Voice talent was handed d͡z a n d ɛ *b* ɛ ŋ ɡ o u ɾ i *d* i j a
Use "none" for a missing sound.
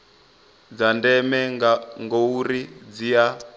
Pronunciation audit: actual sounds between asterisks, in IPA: m, d͡z

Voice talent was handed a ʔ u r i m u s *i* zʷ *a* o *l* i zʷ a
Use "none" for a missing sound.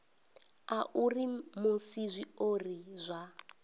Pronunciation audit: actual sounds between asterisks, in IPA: i, i, r

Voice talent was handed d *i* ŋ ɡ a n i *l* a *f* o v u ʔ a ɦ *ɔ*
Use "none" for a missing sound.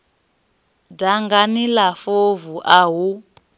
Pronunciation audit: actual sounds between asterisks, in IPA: a, l, f, u

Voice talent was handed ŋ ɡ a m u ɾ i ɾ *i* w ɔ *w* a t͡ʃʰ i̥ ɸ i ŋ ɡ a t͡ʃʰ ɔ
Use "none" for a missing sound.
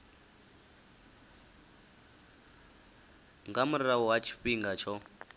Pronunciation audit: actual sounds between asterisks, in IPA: a, w

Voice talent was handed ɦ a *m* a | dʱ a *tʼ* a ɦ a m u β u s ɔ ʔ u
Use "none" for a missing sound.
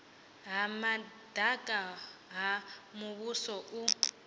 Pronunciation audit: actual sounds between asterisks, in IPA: m, kʼ

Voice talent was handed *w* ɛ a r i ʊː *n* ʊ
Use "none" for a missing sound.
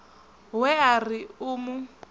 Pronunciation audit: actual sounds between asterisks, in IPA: w, m

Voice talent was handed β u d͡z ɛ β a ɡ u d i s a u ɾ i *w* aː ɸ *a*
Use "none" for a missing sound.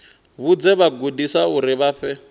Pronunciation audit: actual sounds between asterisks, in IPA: β, ɛ

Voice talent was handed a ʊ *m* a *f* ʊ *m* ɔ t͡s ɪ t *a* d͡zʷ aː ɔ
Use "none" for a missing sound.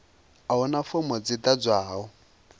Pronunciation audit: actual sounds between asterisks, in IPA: n, f, m, a

